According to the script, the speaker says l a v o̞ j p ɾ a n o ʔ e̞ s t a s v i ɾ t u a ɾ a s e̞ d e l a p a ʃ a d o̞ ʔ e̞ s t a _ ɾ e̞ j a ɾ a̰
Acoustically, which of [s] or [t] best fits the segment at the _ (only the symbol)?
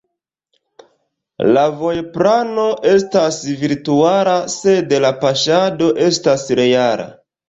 s